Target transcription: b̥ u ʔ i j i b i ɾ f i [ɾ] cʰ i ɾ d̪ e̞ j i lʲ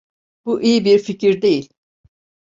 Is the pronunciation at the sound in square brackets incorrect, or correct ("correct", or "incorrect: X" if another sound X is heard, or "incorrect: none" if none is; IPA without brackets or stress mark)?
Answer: incorrect: none